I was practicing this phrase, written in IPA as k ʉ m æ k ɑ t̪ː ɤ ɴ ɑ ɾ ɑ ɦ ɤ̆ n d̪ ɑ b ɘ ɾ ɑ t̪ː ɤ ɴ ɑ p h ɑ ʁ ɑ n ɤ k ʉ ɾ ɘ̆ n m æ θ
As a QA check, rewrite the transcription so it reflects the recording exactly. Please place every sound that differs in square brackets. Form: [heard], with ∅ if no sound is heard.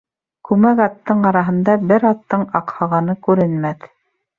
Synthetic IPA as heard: k ʉ m æ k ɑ t̪ː ɤ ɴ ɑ ɾ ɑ ɦ ɤ̆ n d̪ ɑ b ɘ ɾ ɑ t̪ː ɤ ɴ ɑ [q] h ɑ ʁ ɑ n ɤ k ʉ ɾ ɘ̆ n m æ θ